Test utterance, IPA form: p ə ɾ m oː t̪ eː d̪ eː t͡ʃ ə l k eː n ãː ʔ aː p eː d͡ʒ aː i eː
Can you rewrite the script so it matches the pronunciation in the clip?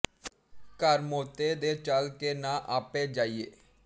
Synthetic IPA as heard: k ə ɾ m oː t̪ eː d̪ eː t͡ʃ ə l k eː n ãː ʔ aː p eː d͡ʒ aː i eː